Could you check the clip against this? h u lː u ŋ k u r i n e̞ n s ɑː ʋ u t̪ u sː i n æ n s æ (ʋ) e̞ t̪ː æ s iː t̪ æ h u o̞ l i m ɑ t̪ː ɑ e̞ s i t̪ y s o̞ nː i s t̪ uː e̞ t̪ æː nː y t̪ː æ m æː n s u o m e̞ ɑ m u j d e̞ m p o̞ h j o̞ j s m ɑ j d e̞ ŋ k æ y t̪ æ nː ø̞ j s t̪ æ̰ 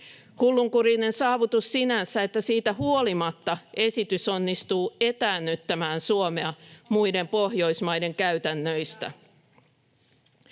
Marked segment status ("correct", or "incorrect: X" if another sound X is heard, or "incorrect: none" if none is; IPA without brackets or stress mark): incorrect: none